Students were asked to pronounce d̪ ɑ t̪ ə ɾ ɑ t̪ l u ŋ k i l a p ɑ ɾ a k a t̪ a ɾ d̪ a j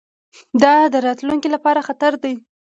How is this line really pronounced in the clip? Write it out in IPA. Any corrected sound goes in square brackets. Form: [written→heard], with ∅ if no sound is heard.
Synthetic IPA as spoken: d̪ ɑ [t̪→d̪] ə ɾ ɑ t̪ l u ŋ k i l a p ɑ ɾ a [k→x] a t̪ a ɾ d̪ a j